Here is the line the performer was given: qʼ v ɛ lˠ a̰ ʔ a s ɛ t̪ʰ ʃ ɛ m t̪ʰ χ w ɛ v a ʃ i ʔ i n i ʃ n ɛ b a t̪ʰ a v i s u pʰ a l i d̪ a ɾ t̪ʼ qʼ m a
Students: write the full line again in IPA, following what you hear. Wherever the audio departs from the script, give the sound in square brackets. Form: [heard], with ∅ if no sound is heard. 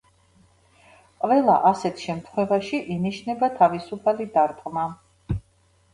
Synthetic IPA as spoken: qʼ v ɛ lˠ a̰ ʔ a s ɛ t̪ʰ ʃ ɛ m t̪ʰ χ w ɛ v a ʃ i ʔ i n i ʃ n ɛ b a t̪ʰ a v i s u pʰ a l i d̪ a ɾ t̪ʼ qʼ m a